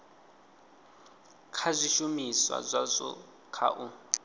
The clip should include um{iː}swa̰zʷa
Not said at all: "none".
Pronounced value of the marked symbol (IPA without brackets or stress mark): i